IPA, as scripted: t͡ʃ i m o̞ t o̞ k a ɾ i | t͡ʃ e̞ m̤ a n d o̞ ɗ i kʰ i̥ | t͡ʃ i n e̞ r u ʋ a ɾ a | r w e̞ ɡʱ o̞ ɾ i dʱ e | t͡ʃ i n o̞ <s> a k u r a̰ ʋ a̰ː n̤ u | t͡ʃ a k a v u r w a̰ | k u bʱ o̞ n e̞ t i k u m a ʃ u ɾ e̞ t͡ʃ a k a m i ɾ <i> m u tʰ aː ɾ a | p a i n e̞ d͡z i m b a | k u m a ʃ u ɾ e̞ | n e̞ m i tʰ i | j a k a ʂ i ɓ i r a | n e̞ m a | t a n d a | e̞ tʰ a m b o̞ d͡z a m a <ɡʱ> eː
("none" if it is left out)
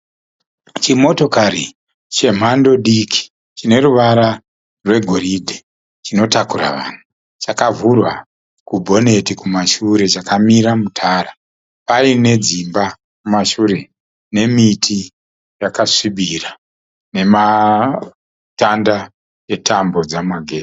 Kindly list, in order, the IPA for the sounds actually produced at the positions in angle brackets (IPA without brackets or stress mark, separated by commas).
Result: t, a, ɡʱ